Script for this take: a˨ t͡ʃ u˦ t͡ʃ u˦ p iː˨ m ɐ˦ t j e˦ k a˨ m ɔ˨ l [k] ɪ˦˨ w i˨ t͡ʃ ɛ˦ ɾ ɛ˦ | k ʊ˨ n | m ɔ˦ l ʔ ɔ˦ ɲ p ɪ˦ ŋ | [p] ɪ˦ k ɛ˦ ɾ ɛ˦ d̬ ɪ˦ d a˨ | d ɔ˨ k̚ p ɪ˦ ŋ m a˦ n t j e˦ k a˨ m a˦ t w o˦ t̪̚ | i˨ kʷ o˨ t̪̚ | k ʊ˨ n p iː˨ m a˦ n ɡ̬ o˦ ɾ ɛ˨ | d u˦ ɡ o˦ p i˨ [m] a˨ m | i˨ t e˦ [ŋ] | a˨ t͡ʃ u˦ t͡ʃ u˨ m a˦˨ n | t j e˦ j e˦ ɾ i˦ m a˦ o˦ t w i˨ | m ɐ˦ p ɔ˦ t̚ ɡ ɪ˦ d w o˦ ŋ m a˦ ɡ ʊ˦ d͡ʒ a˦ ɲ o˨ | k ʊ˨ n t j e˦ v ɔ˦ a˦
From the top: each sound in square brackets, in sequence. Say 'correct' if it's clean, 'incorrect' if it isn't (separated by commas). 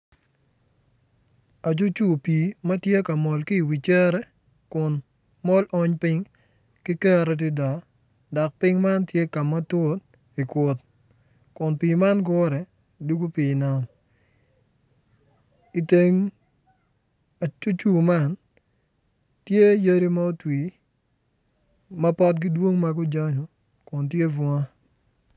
correct, incorrect, incorrect, correct